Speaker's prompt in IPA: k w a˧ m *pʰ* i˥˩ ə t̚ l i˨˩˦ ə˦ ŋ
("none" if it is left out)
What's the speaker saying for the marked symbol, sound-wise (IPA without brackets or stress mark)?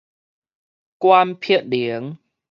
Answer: pʰ